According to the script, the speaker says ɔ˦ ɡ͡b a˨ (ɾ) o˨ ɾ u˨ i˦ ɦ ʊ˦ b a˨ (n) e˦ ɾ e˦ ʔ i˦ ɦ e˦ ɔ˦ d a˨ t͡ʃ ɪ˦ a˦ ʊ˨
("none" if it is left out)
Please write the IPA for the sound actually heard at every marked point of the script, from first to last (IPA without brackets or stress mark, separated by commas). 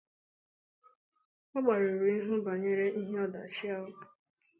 ɾ, ɲ